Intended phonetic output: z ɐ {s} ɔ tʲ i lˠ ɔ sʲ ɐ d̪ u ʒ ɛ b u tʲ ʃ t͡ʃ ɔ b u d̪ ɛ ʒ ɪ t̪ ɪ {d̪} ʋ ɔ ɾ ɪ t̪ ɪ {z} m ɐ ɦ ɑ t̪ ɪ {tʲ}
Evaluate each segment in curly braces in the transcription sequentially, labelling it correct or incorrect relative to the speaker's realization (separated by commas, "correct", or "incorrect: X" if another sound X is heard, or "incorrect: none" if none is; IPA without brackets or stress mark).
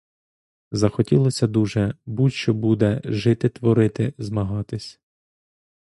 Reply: incorrect: x, incorrect: t̪, correct, incorrect: sʲ